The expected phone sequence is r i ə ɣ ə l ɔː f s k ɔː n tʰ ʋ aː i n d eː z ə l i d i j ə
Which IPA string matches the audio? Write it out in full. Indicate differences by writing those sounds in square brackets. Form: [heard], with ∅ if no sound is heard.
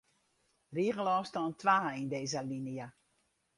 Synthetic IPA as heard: r i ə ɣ ə l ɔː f s [t] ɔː n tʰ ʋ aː i n d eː z ə l i [n] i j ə